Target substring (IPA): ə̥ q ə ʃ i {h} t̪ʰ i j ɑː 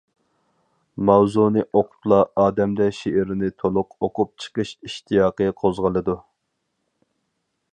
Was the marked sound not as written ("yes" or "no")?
yes